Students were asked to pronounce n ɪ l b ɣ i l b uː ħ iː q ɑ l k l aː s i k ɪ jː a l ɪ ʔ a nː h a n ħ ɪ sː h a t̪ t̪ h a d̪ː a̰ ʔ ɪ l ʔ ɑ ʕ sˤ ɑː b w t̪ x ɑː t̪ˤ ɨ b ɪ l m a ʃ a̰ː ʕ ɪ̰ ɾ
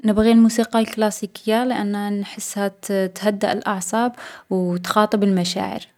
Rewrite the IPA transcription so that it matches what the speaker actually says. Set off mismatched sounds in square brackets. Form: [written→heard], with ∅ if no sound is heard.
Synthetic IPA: n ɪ [l→∅] b ɣ i l [b→m] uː [ħ→s] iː q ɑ l k l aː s i k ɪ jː a l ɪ ʔ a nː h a n ħ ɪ sː h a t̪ t̪ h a d̪ː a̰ ʔ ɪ l ʔ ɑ ʕ sˤ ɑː b w t̪ x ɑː t̪ˤ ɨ b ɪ l m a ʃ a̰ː ʕ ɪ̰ ɾ